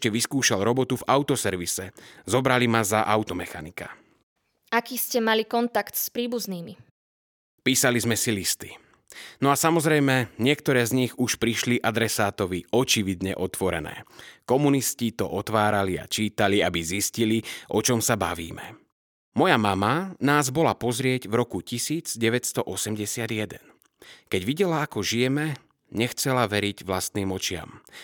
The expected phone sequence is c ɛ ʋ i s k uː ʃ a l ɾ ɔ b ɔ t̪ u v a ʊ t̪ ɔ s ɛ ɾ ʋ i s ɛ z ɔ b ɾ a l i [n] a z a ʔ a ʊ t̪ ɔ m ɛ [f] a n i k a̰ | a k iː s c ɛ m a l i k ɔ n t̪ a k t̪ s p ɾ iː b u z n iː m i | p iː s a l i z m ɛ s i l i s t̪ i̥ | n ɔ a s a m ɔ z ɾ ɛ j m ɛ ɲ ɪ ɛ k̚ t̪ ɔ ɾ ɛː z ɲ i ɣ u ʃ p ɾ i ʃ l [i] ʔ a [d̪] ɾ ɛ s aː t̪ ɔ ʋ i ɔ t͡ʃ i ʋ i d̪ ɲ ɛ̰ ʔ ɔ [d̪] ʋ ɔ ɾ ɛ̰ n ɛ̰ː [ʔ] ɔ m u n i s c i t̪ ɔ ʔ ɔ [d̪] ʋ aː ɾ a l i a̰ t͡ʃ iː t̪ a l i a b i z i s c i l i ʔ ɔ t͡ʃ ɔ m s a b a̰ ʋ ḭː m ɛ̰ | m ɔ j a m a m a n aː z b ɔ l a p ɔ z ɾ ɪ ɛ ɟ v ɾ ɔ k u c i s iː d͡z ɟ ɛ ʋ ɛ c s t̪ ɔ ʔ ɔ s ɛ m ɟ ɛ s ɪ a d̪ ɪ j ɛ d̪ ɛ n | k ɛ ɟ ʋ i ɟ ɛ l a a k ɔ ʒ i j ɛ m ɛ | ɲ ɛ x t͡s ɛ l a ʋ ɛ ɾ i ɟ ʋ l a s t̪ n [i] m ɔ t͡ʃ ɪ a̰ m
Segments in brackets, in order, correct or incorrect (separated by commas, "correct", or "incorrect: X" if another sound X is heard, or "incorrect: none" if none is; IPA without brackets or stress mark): incorrect: m, incorrect: x, correct, correct, incorrect: t̪, incorrect: k, incorrect: t̪, incorrect: iː